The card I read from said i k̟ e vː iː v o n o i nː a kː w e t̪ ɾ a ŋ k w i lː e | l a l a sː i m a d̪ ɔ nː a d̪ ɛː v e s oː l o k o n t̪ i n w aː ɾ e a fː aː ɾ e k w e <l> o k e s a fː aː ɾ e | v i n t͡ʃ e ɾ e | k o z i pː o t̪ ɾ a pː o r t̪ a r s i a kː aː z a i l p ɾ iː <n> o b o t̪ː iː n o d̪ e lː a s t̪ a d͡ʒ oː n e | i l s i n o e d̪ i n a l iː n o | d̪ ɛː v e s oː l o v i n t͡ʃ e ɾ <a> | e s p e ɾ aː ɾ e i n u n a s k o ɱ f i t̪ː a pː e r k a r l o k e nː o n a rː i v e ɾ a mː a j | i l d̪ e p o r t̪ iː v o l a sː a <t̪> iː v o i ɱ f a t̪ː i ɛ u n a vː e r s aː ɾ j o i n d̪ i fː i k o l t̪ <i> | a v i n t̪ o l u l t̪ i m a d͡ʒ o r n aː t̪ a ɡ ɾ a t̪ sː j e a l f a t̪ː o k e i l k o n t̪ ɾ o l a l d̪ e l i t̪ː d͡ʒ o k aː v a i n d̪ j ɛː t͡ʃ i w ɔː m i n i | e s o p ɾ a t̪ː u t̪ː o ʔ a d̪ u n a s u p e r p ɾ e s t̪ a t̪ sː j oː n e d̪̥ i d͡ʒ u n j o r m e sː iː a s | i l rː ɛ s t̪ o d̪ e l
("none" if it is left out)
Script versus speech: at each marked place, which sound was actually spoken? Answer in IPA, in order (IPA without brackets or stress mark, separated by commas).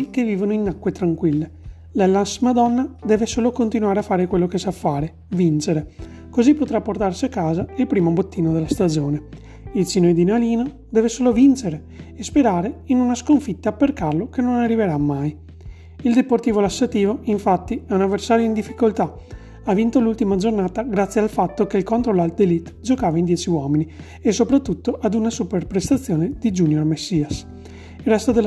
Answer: lː, m, e, t̪, a